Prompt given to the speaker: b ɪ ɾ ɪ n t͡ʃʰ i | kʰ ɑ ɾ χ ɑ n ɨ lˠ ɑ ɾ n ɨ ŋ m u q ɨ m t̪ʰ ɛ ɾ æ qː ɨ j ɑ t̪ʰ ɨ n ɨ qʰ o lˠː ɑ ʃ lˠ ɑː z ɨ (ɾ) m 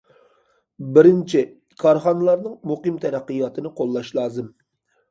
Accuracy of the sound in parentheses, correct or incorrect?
incorrect